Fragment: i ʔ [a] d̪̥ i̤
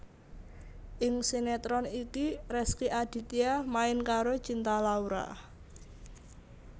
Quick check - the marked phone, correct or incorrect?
correct